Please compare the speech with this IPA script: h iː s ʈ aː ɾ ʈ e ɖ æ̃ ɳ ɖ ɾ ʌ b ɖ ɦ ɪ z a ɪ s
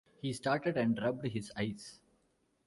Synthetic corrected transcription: h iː s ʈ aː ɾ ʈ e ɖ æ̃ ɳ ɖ ɾ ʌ b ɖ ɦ ɪ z a ɪ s